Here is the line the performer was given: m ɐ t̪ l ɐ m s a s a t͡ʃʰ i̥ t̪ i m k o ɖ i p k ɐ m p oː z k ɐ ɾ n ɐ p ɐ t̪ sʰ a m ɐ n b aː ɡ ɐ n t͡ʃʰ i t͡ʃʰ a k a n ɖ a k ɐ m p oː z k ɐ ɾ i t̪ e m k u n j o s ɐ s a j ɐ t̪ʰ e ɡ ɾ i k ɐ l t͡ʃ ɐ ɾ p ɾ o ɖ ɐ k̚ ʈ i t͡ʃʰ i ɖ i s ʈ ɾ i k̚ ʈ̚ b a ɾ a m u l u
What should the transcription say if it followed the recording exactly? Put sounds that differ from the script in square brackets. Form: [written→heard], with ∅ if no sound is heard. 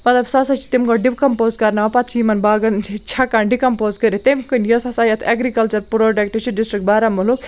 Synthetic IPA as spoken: m ɐ t̪ l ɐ [m→b] s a s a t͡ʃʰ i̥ t̪ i m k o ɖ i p k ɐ m p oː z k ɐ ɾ n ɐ p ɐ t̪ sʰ [a→i] m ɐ n b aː ɡ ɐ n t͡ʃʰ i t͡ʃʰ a k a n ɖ [a→i] k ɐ m p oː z k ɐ ɾ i t̪ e m k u n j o s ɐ s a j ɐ t̪ʰ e ɡ ɾ i k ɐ l t͡ʃ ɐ ɾ p ɾ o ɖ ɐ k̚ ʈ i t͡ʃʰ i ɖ i s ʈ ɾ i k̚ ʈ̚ b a ɾ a m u l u

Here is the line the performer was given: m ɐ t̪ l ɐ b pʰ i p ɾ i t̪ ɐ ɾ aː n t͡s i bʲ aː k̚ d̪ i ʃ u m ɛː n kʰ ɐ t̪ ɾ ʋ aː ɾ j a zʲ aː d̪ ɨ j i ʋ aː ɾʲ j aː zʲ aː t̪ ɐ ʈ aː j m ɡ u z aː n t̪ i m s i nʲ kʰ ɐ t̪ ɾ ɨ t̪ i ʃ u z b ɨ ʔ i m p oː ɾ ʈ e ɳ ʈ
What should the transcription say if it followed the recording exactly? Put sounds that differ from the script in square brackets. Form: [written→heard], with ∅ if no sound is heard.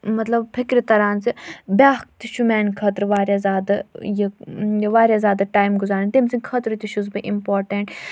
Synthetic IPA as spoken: m ɐ t̪ l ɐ b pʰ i [p→k] ɾ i t̪ ɐ ɾ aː n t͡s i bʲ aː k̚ [d̪→t̪] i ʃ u m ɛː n kʰ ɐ t̪ ɾ ʋ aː ɾ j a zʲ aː d̪ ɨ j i ʋ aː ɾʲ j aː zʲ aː [t̪→d̪] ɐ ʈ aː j m ɡ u z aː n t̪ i m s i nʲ kʰ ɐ t̪ ɾ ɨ t̪ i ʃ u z b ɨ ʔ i m p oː ɾ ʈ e ɳ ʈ

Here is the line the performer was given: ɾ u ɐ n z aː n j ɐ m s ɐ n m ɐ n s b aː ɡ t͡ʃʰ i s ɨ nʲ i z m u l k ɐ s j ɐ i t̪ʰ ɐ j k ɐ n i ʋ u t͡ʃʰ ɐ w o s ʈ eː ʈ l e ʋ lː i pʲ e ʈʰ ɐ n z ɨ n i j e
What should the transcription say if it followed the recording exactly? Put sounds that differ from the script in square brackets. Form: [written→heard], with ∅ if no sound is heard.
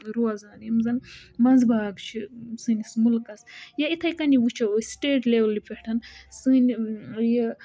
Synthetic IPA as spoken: ɾ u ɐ [n→∅] z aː n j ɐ m [s→z] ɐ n m ɐ n [s→z] b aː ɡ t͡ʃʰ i s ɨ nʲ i [z→s] m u l k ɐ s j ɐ i t̪ʰ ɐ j k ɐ n i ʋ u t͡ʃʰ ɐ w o s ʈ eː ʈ l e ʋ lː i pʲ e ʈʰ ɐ n [z→s] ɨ n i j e

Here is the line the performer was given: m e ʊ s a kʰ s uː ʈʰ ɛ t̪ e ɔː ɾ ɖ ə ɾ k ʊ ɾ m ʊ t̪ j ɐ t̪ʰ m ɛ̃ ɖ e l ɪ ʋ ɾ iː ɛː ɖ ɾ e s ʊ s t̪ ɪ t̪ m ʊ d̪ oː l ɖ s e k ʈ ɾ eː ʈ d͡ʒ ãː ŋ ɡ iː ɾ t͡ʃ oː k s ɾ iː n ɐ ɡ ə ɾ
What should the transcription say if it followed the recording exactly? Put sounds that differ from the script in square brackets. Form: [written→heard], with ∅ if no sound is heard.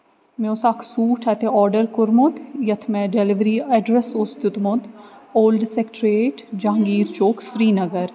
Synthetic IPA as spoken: m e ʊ s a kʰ s uː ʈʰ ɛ t̪ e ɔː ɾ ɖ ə ɾ k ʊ ɾ m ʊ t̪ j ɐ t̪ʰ m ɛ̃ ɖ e l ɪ ʋ ɾ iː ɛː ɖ ɾ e s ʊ s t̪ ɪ t̪ m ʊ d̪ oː l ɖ s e k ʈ ɾ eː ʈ d͡ʒ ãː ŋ ɡ iː ɾ t͡ʃ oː k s ɾ iː n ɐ ɡ ə ɾ

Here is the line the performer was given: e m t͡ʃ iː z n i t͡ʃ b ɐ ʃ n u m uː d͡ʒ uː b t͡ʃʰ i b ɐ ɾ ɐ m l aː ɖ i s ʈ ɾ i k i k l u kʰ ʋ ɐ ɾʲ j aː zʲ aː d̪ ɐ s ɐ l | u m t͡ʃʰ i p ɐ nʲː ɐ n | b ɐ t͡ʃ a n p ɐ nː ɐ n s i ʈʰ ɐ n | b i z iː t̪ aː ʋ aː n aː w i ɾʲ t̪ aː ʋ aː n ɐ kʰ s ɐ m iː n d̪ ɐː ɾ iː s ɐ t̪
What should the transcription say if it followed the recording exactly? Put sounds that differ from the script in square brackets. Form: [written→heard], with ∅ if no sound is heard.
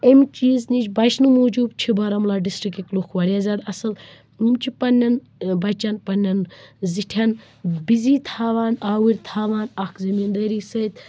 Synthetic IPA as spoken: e m t͡ʃ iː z n i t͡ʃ b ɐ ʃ n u m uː d͡ʒ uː b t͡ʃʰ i b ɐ ɾ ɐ m l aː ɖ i s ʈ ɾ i k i k l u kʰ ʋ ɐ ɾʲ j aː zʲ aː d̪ ɐ s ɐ l | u m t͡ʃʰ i p ɐ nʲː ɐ n | b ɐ t͡ʃ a n p ɐ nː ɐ n [s→z] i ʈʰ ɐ n | b i z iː [t̪→t̪ʰ] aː ʋ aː n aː w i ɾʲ [t̪→t̪ʰ] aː ʋ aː n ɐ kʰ [s→z] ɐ m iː n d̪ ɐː ɾ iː s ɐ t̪

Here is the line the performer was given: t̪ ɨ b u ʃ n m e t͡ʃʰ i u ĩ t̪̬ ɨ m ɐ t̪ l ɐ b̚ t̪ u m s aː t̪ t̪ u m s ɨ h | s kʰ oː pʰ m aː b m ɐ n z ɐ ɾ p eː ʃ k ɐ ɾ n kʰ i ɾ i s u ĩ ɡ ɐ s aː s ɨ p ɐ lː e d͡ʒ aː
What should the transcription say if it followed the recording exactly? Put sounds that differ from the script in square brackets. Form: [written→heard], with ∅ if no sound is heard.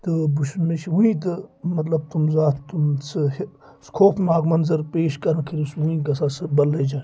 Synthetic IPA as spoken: t̪ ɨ b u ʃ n m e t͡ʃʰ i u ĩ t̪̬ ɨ m ɐ t̪ l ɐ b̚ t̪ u m [s→z] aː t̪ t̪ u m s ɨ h | s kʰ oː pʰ m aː [b→ɡ] m ɐ n z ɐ ɾ p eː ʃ k ɐ ɾ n kʰ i ɾ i s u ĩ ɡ ɐ s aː s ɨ [p→b] ɐ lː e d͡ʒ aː

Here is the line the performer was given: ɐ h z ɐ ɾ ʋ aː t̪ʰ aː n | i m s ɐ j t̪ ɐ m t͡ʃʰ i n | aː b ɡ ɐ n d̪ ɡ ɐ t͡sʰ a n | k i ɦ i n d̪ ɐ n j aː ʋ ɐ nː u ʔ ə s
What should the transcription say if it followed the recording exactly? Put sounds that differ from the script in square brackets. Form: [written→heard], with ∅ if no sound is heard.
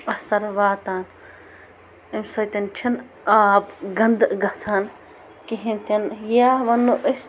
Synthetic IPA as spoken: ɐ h [z→s] ɐ ɾ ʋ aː [t̪ʰ→t̪] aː n | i m s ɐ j t̪ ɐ [m→n] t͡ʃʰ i n | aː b ɡ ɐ n d̪ ɡ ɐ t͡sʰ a n | k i ɦ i n [d̪→t̪] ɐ n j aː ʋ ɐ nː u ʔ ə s

